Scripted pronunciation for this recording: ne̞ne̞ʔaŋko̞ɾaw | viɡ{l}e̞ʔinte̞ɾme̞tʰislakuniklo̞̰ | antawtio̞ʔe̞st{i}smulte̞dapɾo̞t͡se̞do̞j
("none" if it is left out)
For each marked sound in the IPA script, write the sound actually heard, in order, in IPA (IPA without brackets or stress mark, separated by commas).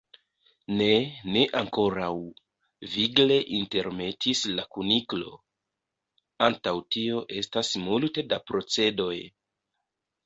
l, a